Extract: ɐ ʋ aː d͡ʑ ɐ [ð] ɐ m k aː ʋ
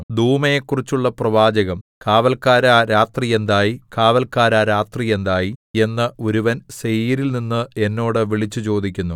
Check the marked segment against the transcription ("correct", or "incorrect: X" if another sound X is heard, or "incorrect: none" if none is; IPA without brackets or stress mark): incorrect: ɣ